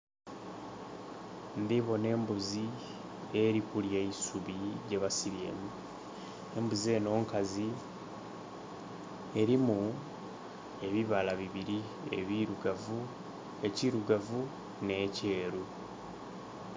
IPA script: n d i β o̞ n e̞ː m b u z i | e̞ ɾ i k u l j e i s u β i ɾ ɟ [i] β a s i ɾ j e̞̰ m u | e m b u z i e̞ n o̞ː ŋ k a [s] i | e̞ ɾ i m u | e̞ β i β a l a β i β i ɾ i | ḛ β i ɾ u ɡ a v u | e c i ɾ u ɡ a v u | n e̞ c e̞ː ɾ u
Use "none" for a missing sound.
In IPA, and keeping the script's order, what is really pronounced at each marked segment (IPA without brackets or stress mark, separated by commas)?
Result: e, z